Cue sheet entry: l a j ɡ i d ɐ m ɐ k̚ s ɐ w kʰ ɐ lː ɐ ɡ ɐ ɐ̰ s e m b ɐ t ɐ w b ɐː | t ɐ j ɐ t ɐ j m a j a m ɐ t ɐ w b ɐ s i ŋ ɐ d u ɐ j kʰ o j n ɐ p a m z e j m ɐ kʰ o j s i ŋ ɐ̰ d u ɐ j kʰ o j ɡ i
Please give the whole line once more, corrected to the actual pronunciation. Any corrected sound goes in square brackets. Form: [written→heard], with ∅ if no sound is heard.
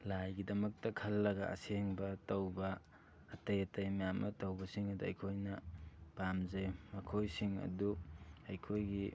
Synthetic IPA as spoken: l a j ɡ i d ɐ m ɐ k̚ [s→t] ɐ [w→∅] kʰ ɐ lː ɐ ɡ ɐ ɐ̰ s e [m→ŋ] b ɐ t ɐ w b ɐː | t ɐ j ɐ t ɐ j m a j a m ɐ t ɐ w b ɐ s i ŋ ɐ d u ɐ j kʰ o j n ɐ p a m z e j m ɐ kʰ o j s i ŋ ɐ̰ d u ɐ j kʰ o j ɡ i